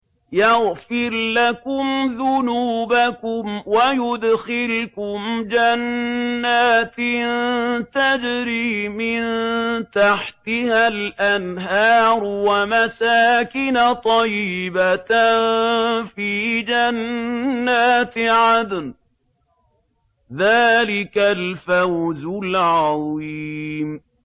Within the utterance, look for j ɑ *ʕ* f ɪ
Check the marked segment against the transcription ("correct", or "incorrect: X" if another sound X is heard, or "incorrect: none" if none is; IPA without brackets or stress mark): incorrect: ɣ